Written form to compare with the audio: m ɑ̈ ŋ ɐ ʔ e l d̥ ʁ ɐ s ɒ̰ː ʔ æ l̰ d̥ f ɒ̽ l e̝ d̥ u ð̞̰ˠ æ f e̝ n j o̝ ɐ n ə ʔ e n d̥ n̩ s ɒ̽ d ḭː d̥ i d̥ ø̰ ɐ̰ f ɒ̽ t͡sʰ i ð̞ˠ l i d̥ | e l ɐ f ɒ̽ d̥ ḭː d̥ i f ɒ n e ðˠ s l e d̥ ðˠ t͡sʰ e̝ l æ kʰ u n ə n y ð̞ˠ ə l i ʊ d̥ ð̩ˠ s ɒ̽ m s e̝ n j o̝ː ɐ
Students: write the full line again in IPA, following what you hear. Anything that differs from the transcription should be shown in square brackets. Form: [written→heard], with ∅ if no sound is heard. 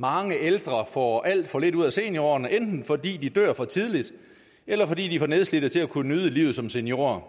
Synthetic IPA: m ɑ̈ ŋ [ɐ→ə] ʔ e l d̥ ʁ ɐ [s→f] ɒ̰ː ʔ æ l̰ d̥ f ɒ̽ l e̝ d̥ u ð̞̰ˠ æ [f→s] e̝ n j o̝ ɐ n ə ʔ e n d̥ n̩ [s→f] ɒ̽ d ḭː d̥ i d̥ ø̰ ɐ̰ f ɒ̽ t͡sʰ i ð̞ˠ l i d̥ | e l ɐ f ɒ̽ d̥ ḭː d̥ i f ɒ n e ðˠ s l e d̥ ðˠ t͡sʰ e̝ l æ kʰ u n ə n y ð̞ˠ ə l i ʊ [d̥→∅] ð̩ˠ s ɒ̽ m s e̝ n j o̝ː ɐ

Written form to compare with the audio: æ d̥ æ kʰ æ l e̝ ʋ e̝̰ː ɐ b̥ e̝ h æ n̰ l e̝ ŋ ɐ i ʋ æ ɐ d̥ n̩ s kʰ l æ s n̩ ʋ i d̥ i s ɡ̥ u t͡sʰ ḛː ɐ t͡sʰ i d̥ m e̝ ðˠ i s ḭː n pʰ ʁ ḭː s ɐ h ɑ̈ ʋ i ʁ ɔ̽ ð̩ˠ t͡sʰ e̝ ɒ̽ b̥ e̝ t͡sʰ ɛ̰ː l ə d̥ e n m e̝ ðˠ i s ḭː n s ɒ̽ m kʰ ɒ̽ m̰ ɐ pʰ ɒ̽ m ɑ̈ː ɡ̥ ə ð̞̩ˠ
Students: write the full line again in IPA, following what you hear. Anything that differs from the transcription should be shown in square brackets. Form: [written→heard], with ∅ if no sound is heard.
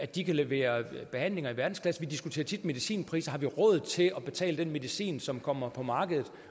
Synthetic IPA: æ d̥ [æ→i] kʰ æ l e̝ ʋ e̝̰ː ɐ b̥ e̝ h æ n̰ l e̝ ŋ ɐ i ʋ æ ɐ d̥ n̩ s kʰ l æ s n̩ ʋ i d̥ i s ɡ̥ u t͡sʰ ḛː ɐ t͡sʰ i d̥ m e̝ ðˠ i s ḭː n pʰ ʁ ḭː s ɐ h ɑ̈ ʋ i ʁ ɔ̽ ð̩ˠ t͡sʰ e̝ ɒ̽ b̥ e̝ t͡sʰ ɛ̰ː l ə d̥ e n m e̝ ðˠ i s ḭː n s ɒ̽ m kʰ ɒ̽ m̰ ɐ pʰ ɒ̽ m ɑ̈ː ɡ̥ ə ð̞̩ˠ

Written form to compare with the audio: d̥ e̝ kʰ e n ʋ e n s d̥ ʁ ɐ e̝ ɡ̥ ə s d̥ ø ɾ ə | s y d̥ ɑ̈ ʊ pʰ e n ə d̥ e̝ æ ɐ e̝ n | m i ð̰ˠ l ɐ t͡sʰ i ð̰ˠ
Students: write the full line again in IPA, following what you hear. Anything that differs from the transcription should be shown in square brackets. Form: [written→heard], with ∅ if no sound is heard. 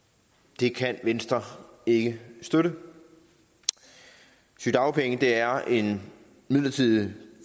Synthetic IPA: d̥ e̝ kʰ [e→æ] n ʋ e n s d̥ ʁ ɐ e̝ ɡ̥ ə s d̥ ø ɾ ə | s y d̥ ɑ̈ ʊ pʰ e [n→ŋ] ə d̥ e̝ æ ɐ e̝ n | m i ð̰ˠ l ɐ t͡sʰ i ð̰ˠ

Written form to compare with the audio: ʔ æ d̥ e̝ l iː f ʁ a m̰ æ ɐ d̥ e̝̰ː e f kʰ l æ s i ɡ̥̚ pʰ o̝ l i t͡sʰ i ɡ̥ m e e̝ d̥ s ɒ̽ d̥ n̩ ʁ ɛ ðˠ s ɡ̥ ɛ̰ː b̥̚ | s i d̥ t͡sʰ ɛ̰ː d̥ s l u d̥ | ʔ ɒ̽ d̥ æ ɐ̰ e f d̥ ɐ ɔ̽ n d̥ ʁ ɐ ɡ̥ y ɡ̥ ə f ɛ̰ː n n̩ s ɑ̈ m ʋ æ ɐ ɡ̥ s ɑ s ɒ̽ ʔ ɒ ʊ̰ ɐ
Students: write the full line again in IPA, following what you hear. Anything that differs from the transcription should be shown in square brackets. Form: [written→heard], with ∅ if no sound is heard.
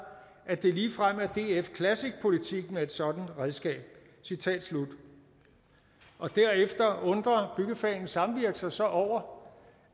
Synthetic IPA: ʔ æ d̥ e̝ l iː f ʁ a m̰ æ ɐ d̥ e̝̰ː e f kʰ l æ s i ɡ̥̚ pʰ o̝ l i t͡sʰ i ɡ̥ m e e̝ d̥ s ɒ̽ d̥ n̩ ʁ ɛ ðˠ s ɡ̥ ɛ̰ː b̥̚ | s i [d̥→∅] t͡sʰ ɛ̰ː d̥ s l u d̥ | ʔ ɒ̽ d̥ æ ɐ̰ e f d̥ ɐ ɔ̽ n d̥ ʁ ɐ [ɡ̥→b̥] y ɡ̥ ə f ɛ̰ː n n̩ s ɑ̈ m ʋ [æ→i] ɐ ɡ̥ s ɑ s ɒ̽ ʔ ɒ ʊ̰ ɐ

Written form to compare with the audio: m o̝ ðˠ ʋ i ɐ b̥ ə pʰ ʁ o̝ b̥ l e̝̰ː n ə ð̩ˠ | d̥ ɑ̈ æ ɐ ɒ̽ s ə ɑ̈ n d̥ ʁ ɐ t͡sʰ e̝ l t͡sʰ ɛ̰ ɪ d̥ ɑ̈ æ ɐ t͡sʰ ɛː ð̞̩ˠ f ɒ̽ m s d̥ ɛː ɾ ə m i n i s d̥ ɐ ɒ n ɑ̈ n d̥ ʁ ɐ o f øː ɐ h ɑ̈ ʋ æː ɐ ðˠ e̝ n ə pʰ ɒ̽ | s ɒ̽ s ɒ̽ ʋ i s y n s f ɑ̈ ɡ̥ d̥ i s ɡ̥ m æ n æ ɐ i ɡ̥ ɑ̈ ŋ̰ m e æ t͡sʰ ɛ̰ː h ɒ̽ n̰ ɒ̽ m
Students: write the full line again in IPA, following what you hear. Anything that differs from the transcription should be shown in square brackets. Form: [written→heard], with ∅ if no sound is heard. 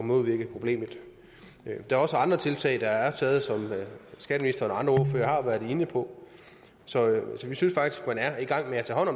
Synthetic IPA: m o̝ ðˠ ʋ i ɐ [b̥→ɡ̥] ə pʰ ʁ o̝ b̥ l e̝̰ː [n→m] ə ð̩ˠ | d̥ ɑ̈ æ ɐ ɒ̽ s ə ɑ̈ n d̥ ʁ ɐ t͡sʰ e̝ l t͡sʰ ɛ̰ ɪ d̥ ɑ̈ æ ɐ t͡sʰ ɛː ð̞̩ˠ [f→s] ɒ̽ m s [d̥→ɡ̥] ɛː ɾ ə m i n i s d̥ ɐ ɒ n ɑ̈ n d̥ ʁ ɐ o f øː ɐ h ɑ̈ ʋ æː ɐ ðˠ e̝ n ə pʰ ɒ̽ | s ɒ̽ s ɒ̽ ʋ i s y n s f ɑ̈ ɡ̥ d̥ i s ɡ̥ m æ n æ ɐ i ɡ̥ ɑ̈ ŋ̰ m e æ t͡sʰ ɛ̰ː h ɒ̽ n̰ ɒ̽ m

